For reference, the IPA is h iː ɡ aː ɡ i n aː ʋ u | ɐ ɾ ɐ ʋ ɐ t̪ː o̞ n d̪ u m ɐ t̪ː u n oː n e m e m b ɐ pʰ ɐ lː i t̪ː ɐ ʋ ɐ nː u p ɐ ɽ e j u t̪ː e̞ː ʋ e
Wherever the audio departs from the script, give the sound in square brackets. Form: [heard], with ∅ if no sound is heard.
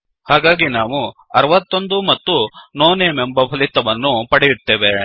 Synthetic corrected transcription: h [aː] ɡ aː ɡ i n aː ʋ u | ɐ ɾ ɐ ʋ ɐ t̪ː o̞ n d̪ u m ɐ t̪ː u n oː n e m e m b ɐ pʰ ɐ [l] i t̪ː ɐ ʋ ɐ nː u p ɐ ɽ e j u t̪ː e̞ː ʋ e